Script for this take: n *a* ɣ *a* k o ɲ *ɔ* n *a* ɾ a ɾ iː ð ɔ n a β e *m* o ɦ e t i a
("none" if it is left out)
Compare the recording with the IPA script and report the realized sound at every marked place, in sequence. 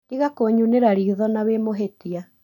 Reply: i, a, u, e, m

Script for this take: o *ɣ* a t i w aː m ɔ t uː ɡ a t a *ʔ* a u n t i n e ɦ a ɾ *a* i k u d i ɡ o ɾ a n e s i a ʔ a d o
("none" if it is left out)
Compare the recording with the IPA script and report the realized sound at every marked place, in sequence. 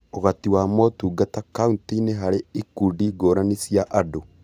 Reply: ɣ, k, e

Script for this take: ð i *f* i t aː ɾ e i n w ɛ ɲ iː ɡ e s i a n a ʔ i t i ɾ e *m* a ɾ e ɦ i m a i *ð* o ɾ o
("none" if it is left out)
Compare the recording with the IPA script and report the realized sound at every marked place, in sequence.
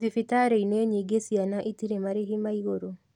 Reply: f, m, ɣ

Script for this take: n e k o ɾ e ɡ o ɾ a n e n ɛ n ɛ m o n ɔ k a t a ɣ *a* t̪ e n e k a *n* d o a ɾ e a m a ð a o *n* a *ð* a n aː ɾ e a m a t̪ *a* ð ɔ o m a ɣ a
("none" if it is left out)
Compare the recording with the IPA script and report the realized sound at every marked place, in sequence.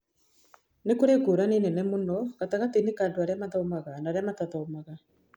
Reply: a, n, m, ɣ, a

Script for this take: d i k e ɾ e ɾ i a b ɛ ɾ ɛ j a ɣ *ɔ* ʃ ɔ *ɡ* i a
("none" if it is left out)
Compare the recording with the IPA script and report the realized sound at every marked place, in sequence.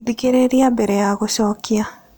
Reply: o, k

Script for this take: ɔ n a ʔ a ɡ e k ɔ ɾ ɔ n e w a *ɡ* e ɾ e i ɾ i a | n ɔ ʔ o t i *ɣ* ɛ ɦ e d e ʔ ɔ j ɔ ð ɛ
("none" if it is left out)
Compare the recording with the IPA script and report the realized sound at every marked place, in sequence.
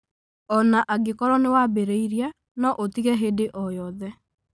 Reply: b, ɣ

